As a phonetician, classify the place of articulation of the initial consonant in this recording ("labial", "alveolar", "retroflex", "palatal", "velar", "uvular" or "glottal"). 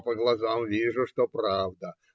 labial